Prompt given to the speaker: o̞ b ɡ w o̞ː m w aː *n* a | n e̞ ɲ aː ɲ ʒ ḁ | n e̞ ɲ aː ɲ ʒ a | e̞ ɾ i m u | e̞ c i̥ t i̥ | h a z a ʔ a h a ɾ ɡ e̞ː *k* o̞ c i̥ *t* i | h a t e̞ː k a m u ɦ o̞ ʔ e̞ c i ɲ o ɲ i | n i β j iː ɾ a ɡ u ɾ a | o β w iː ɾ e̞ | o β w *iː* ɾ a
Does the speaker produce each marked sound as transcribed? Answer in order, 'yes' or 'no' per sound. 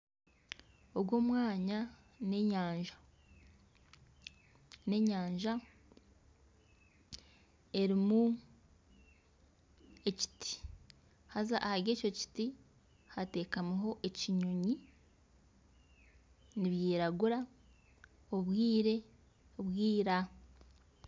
no, no, yes, yes

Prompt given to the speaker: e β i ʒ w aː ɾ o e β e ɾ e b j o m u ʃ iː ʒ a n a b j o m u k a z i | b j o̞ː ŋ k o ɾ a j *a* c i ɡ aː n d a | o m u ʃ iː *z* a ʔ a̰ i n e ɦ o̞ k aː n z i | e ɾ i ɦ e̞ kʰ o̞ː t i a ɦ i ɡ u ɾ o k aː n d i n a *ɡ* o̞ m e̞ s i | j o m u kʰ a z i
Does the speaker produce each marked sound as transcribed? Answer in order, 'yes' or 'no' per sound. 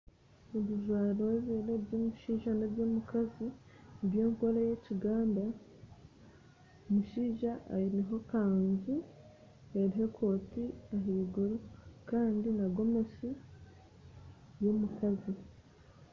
no, no, yes

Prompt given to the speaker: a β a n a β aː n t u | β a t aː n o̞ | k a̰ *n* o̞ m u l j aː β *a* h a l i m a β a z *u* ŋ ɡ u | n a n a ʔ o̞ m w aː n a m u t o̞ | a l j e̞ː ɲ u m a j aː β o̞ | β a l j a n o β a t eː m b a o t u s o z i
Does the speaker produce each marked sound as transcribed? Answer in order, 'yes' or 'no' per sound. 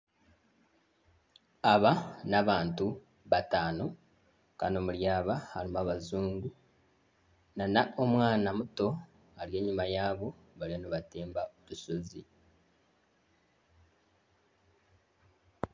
yes, yes, no

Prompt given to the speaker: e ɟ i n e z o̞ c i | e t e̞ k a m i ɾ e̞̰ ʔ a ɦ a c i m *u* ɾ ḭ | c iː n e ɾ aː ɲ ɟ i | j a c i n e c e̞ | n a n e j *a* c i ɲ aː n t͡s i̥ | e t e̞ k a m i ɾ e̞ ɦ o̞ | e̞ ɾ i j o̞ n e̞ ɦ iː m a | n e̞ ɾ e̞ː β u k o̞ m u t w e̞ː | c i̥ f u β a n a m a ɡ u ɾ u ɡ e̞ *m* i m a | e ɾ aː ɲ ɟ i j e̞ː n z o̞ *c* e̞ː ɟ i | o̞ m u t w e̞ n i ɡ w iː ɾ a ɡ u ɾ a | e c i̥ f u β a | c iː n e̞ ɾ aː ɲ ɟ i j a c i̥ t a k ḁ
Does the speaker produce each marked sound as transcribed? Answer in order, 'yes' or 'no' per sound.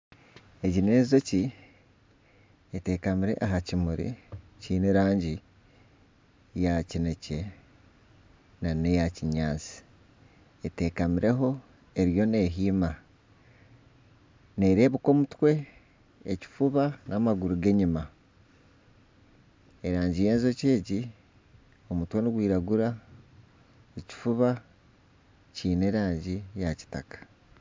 yes, yes, no, yes

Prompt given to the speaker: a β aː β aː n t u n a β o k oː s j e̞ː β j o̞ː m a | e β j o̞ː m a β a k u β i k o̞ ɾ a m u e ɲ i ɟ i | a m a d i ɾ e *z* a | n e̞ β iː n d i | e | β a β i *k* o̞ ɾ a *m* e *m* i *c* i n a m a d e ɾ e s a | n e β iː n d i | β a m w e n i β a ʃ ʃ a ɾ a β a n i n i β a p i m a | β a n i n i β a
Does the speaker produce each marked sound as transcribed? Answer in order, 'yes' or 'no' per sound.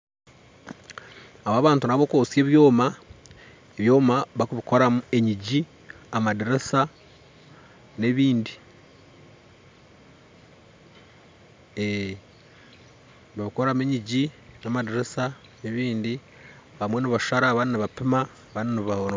no, yes, yes, no, no

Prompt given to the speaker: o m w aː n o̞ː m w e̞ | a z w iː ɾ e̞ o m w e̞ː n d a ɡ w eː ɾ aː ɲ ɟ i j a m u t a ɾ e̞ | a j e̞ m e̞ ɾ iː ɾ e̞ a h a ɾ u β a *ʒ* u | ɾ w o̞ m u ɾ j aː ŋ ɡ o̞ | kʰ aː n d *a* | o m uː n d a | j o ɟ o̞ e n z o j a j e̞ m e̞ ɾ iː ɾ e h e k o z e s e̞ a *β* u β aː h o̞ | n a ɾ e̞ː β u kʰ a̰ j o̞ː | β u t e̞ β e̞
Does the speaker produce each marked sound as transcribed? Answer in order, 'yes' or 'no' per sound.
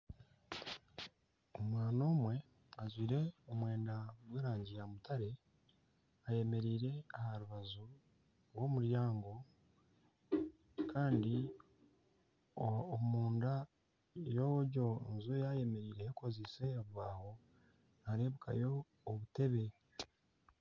no, no, yes

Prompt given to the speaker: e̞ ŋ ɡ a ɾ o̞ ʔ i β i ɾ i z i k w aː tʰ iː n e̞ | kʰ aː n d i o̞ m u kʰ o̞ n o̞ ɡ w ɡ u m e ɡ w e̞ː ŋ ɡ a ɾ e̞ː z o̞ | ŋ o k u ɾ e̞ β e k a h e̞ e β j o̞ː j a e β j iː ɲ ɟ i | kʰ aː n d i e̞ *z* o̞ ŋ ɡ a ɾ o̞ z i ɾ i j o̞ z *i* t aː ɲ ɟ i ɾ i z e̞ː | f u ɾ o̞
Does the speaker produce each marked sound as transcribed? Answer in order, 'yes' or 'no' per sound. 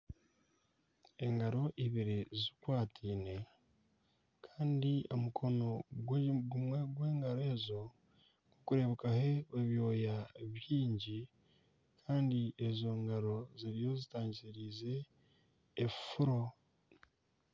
yes, yes

